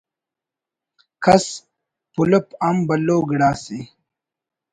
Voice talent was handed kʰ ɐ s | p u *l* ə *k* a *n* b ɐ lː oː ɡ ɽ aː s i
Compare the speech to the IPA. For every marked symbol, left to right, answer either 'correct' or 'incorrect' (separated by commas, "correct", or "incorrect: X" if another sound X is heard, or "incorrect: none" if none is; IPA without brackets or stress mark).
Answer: correct, incorrect: p, incorrect: m